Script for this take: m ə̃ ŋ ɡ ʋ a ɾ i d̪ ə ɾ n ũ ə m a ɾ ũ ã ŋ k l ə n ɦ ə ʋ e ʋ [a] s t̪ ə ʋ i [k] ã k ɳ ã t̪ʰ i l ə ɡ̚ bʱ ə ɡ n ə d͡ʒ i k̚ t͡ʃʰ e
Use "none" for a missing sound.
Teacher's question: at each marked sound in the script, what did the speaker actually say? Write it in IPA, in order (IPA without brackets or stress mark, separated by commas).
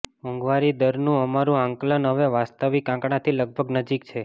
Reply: a, k